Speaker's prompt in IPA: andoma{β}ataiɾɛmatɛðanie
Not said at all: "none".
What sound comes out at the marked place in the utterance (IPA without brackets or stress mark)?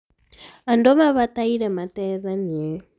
β